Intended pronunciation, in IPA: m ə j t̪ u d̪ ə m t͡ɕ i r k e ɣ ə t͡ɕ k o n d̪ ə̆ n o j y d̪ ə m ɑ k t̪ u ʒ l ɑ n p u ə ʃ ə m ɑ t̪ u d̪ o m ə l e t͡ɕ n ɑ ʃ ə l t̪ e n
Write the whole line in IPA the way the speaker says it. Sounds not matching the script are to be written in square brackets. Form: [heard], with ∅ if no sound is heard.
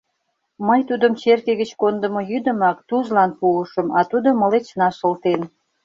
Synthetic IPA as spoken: m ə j t̪ u d̪ ə m t͡ɕ [e] r k e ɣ ə t͡ɕ k o n d̪ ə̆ [m] o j y d̪ ə m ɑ k t̪ u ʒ l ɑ n p u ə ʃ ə m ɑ t̪ u d̪ o m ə l e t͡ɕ n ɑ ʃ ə l t̪ e n